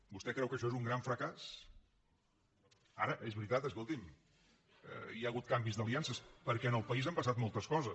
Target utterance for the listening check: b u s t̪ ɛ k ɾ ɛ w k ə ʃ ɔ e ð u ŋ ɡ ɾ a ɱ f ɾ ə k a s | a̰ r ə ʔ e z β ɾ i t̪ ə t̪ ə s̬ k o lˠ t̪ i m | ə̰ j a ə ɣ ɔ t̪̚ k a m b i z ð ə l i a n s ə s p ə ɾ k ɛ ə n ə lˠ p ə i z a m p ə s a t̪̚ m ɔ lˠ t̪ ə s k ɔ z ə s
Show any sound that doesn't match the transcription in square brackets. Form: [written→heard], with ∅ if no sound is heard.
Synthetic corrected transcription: b u s t̪ ɛ k ɾ ɛ w k ə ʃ ɔ e [ð→z] u ŋ ɡ ɾ a ɱ f ɾ ə k a s | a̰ [r→ɾ] ə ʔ e z β ɾ i t̪ [ə→a] t̪ ə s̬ k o lˠ t̪ i m | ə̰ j a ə ɣ [ɔ→u] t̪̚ k a m b i z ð ə l i a n s ə s p ə ɾ k ɛ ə n ə lˠ p ə i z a m p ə s a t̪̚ m ɔ lˠ t̪ ə s k ɔ z ə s